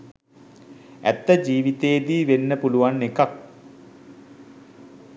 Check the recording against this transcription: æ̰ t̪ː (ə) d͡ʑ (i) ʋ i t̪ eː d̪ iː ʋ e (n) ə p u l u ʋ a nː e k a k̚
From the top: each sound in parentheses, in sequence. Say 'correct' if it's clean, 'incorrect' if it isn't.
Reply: correct, incorrect, incorrect

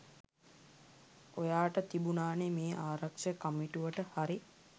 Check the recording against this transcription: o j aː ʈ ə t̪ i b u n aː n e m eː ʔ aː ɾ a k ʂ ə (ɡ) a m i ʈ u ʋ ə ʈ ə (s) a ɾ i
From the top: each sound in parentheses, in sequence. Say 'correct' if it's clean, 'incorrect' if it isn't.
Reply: incorrect, incorrect

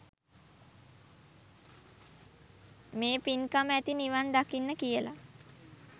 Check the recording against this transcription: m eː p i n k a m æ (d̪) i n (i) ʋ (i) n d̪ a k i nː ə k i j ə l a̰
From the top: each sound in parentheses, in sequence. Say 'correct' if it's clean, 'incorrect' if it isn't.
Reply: incorrect, correct, incorrect

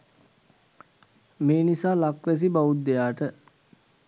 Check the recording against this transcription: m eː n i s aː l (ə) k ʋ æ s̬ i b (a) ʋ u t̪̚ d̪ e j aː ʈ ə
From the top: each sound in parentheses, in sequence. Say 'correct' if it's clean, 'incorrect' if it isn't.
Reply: incorrect, correct

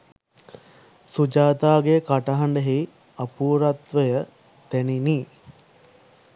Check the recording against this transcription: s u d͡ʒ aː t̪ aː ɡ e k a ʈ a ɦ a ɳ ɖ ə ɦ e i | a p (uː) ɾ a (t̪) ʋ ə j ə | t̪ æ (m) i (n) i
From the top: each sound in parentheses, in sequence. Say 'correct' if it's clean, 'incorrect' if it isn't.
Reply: correct, correct, incorrect, correct

